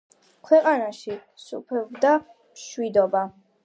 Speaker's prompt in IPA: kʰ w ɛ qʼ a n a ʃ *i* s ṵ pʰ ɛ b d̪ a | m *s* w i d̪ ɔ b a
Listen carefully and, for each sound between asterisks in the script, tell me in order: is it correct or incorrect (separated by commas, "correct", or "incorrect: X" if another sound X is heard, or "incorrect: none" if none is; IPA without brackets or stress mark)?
correct, incorrect: ʃ